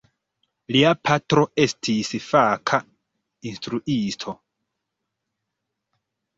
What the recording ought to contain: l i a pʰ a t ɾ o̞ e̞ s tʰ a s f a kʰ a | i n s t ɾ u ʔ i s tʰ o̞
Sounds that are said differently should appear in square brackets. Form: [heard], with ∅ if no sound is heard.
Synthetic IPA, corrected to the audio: l i a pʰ a t ɾ o̞ e̞ s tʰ [i] s f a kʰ a | i n s t ɾ u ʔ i s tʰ o̞